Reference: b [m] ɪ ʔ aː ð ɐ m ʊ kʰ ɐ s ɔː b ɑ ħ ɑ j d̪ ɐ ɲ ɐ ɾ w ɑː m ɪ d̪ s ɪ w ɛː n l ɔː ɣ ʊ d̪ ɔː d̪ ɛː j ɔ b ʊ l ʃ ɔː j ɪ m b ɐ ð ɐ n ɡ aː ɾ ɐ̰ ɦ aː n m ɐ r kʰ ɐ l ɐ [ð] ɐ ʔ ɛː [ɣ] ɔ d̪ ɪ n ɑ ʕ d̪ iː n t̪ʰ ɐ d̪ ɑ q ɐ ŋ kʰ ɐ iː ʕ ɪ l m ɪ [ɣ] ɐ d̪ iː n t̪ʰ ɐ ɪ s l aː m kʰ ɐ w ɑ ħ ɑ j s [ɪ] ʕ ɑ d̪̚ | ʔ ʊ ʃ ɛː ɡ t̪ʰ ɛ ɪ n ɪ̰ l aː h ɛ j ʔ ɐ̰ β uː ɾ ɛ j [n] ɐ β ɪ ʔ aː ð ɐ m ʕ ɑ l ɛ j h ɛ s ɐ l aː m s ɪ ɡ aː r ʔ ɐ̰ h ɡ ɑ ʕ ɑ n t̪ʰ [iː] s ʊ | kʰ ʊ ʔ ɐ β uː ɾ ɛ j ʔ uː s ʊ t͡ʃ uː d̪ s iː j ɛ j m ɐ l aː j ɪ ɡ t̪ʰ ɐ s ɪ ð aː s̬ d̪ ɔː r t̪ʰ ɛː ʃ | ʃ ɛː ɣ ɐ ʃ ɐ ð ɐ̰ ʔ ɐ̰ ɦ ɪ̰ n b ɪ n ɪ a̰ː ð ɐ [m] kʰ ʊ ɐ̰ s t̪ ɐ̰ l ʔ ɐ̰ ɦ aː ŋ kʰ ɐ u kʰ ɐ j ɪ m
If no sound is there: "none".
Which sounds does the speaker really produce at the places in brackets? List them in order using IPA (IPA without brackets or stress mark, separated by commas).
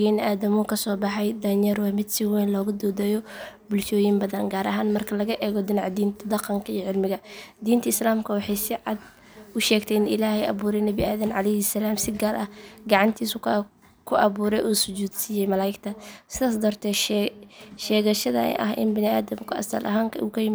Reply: n, ɣ, ɣ, ɣ, ɪ, n, iː, m